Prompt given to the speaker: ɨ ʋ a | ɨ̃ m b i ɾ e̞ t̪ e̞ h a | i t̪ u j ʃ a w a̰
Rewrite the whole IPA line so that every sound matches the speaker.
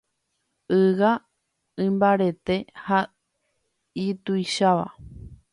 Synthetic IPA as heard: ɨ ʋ a | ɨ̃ m b a ɾ e̞ t̪ e̞ h a | i t̪ u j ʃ a ʋ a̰